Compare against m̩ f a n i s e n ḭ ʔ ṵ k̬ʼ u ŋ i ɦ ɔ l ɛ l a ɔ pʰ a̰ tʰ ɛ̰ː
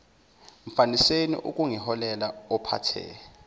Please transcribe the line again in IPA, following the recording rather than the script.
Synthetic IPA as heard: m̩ f a n i s e n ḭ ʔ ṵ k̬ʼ u ŋ i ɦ ɔ l ɛ l a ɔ pʰ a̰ tʰ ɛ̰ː